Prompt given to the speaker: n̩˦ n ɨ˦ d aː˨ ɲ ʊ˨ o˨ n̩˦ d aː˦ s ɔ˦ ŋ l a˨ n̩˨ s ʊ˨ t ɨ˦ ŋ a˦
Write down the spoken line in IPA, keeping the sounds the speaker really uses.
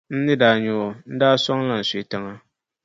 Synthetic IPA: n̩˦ n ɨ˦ d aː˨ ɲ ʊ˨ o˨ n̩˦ d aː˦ s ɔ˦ ŋ l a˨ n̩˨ s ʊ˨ t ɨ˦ ŋ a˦